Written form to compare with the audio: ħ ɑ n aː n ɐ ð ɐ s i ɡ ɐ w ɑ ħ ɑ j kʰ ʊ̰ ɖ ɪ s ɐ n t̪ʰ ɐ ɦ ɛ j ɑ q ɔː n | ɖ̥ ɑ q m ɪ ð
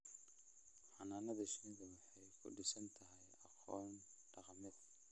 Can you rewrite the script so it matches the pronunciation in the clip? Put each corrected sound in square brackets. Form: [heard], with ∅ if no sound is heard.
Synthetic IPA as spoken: ħ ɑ n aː n ɐ ð ɐ [ʃ] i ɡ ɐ w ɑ ħ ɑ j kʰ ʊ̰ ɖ ɪ s ɐ n t̪ʰ ɐ ɦ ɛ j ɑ q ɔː n | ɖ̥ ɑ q m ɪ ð